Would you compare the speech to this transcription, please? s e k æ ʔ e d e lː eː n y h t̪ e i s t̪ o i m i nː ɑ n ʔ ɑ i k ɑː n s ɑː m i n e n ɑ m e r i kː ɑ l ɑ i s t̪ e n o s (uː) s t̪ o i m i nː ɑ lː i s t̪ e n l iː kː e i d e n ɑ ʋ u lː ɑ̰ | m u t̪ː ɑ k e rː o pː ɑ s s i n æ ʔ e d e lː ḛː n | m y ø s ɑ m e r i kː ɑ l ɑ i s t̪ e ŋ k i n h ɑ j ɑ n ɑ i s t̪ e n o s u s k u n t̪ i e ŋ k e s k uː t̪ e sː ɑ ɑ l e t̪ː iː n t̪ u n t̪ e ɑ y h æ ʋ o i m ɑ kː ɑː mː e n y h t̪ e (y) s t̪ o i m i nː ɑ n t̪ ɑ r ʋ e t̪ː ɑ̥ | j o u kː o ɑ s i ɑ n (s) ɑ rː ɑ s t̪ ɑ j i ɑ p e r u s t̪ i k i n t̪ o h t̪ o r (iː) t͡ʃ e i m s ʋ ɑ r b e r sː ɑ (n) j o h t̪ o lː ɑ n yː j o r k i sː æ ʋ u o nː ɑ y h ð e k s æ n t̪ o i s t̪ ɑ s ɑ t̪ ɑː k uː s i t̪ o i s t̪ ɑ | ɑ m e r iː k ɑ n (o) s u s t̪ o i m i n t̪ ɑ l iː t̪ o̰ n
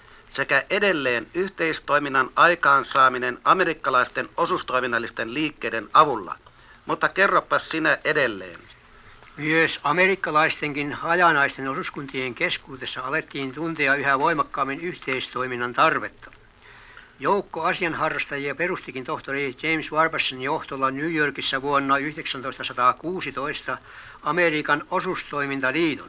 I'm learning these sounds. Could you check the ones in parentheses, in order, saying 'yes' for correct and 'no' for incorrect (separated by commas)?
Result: no, no, no, no, yes, yes